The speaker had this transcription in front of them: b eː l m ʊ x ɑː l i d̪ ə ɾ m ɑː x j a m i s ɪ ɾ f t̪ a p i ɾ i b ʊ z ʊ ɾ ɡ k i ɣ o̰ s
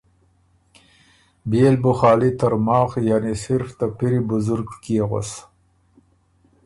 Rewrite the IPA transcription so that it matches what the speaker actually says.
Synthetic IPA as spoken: b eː l b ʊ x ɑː l i t̪ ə ɾ m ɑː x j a n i s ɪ ɾ f t̪ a p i ɾ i b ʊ z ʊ ɾ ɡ k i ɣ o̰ s